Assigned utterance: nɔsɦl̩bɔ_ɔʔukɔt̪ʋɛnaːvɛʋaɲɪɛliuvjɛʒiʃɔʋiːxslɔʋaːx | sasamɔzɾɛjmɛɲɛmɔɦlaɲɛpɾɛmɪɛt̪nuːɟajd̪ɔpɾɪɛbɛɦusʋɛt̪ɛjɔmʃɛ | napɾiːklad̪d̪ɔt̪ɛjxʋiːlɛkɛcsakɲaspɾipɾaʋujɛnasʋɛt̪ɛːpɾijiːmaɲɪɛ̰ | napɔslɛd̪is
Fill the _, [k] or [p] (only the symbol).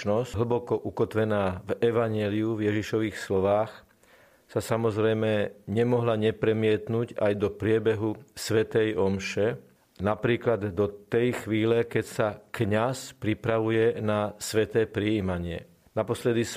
k